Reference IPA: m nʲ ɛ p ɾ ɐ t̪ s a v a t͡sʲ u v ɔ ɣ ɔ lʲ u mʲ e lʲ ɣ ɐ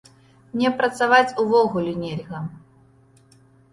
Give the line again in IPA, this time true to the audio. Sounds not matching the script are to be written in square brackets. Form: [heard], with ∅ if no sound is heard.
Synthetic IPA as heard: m nʲ ɛ p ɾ ɐ t̪ s a v a t͡sʲ u v ɔ ɣ [u] lʲ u [nʲ] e lʲ ɣ ɐ

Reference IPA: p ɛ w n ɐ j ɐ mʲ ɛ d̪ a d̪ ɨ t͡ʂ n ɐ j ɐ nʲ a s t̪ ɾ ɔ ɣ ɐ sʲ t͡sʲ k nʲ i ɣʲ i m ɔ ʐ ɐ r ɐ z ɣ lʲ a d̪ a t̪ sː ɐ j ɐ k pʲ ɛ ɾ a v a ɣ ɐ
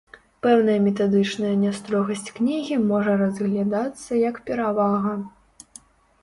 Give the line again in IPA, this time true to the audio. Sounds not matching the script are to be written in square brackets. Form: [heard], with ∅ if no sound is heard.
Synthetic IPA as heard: p ɛ w n ɐ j ɐ mʲ ɛ [t̪] a d̪ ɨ t͡ʂ n ɐ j ɐ nʲ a s t̪ ɾ ɔ ɣ ɐ sʲ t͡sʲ k nʲ i ɣʲ i m ɔ ʐ ɐ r ɐ z ɣ lʲ a d̪ a t̪ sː ɐ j ɐ k pʲ ɛ ɾ a v a ɣ ɐ

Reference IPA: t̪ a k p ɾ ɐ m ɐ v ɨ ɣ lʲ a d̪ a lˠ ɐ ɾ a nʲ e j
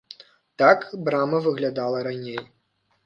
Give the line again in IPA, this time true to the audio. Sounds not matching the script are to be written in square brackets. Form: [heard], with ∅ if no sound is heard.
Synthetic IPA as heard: t̪ a k [b] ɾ [a] m ɐ v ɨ ɣ lʲ a d̪ a lˠ ɐ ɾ a nʲ e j

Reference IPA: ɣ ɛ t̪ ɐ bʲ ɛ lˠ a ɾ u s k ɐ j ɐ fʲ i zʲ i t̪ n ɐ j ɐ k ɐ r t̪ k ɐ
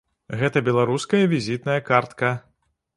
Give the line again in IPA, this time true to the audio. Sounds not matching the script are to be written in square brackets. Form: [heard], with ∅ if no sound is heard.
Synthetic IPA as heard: ɣ ɛ t̪ ɐ bʲ ɛ lˠ a ɾ u s k ɐ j ɐ [vʲ] i zʲ i t̪ n ɐ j ɐ k [a] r t̪ k ɐ

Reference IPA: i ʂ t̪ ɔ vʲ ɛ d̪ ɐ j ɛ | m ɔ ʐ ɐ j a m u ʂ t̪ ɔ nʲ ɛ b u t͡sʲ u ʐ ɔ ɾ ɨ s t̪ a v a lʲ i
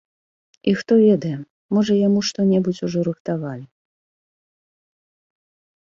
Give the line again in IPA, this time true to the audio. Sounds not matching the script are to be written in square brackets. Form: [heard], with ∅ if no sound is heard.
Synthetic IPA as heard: i [x] t̪ ɔ vʲ ɛ d̪ ɐ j ɛ | m ɔ ʐ ɐ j a m u ʂ t̪ ɔ nʲ ɛ b u t͡sʲ u ʐ ɔ ɾ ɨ [x] t̪ a v a lʲ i

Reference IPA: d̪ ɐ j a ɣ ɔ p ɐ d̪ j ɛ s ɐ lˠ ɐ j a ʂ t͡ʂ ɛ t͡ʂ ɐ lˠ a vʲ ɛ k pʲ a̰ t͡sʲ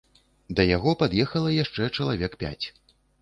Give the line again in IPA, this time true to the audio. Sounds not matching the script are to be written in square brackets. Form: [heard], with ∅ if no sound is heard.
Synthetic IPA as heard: d̪ ɐ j a ɣ ɔ p [a] d̪ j ɛ [x] ɐ lˠ ɐ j a ʂ t͡ʂ ɛ t͡ʂ ɐ lˠ a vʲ ɛ k pʲ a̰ t͡sʲ

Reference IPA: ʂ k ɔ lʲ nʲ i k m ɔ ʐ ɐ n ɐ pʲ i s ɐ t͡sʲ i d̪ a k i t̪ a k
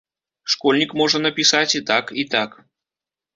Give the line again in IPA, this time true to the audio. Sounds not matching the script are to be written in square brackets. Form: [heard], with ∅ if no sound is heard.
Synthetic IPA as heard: ʂ k ɔ lʲ nʲ i k m ɔ ʐ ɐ n ɐ pʲ i s [a] t͡sʲ i [t̪] a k i t̪ a k

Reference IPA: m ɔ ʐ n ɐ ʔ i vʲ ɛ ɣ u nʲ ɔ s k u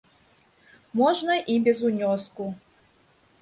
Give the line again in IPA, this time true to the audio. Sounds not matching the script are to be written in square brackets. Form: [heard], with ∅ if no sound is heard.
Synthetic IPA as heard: m ɔ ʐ n ɐ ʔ i [bʲ] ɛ [z] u nʲ ɔ s k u

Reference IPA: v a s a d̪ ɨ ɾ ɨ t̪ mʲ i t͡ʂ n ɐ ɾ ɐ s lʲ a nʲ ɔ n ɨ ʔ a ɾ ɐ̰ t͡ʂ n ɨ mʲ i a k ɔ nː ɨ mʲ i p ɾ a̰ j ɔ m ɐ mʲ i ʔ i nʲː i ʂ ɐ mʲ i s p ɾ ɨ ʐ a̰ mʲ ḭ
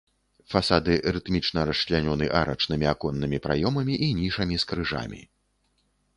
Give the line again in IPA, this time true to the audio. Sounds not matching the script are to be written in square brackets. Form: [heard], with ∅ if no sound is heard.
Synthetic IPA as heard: [f] a s a d̪ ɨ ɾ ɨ t̪ mʲ i t͡ʂ n ɐ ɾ ɐ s lʲ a nʲ ɔ n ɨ ʔ a ɾ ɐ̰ t͡ʂ n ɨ mʲ i a k ɔ nː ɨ mʲ i p ɾ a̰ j ɔ m ɐ mʲ i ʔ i [nʲ] i ʂ ɐ mʲ i s [k] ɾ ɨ ʐ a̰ mʲ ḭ

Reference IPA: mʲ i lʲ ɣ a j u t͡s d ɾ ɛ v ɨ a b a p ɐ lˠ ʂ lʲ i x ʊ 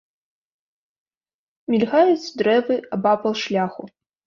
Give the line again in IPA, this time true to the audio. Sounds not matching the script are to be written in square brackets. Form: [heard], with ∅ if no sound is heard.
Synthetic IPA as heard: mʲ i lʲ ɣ a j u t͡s d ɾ ɛ v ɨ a b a p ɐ lˠ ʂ lʲ [a] x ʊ

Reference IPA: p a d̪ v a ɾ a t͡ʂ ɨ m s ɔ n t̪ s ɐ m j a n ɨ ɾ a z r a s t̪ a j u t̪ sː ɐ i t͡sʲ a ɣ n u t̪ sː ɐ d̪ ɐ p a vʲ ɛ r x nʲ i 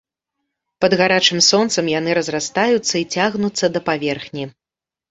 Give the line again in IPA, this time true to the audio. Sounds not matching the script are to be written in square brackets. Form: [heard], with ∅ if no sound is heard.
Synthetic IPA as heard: p [ɐ] d̪ [ɣ] a ɾ a t͡ʂ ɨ m s ɔ n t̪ s ɐ m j a n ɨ ɾ [ɐ] z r a s t̪ a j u t̪ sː ɐ i t͡sʲ a ɣ n u t̪ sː ɐ d̪ ɐ p a vʲ ɛ r x nʲ i

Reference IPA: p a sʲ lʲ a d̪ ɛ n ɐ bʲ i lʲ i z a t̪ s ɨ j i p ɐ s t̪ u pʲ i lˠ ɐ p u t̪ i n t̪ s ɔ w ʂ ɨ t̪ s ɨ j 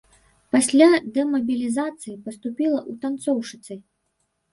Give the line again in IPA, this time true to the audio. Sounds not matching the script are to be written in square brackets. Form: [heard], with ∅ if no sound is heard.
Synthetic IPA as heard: p a sʲ lʲ a d̪ ɛ [m] ɐ bʲ i lʲ i z a t̪ s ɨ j i p ɐ s t̪ u pʲ i lˠ ɐ [ʔ] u t̪ [a] n t̪ s ɔ w ʂ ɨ t̪ s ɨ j

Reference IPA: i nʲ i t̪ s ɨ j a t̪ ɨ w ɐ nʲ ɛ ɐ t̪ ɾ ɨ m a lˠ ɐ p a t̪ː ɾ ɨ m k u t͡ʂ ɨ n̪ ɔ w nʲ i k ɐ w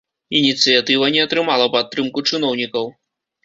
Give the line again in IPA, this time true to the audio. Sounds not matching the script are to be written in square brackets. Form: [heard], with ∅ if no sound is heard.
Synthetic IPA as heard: i nʲ i t̪ s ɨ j a t̪ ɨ [v] ɐ nʲ ɛ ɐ t̪ ɾ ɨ m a lˠ ɐ p a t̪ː ɾ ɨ m k u t͡ʂ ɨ n̪ ɔ w nʲ i k ɐ w

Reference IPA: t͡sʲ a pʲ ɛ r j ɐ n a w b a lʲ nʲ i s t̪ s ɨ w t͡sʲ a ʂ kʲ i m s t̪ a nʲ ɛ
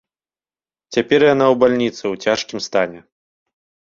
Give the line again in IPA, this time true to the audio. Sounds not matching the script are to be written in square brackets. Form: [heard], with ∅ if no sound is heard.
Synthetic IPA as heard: t͡sʲ a pʲ ɛ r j [a] n a w b a lʲ nʲ i [∅] t̪ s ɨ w t͡sʲ a ʂ kʲ i m s t̪ a nʲ ɛ

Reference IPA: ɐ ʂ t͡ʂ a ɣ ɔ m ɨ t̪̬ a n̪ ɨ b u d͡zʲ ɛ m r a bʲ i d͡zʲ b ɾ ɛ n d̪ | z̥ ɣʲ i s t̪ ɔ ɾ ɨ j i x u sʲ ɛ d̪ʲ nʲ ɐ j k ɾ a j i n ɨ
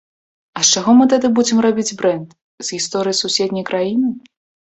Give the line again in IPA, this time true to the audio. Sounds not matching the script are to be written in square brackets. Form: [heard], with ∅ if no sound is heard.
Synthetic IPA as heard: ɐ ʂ t͡ʂ a ɣ ɔ m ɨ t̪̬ a [d̪] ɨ b u d͡zʲ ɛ m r a bʲ i d͡zʲ b ɾ ɛ n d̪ | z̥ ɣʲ i s t̪ ɔ ɾ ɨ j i [s] u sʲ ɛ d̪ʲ nʲ ɐ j k ɾ a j i n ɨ

